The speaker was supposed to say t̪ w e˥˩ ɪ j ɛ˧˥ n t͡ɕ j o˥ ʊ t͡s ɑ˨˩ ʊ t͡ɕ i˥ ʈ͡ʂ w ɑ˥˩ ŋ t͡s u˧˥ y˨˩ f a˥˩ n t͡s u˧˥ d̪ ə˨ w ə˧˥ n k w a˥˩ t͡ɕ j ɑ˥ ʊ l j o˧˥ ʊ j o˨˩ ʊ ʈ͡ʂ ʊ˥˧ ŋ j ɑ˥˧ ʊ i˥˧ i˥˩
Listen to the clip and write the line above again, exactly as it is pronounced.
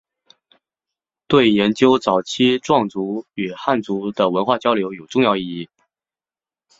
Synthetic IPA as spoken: t̪ w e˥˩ ɪ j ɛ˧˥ n t͡ɕ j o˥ ʊ t͡s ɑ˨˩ ʊ t͡ɕʰ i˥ ʈ͡ʂ w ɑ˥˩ ŋ t͡s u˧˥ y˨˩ x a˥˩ n t͡s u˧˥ d̪ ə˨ w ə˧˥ n x w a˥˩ t͡ɕ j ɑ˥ ʊ l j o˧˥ ʊ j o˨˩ ʊ ʈ͡ʂ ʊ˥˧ ŋ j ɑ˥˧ ʊ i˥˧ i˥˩